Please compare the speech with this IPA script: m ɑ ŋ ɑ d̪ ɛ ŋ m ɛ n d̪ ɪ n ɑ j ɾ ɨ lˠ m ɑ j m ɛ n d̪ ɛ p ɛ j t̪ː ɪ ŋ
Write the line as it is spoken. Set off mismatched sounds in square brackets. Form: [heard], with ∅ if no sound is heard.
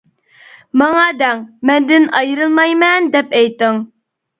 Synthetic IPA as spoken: m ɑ ŋ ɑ d̪ ɛ ŋ m ɛ n d̪ ɪ n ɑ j ɾ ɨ lˠ m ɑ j m ɛ n d̪ ɛ p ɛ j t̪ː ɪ ŋ